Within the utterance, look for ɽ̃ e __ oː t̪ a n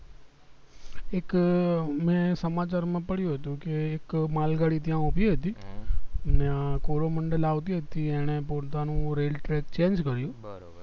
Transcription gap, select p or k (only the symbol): p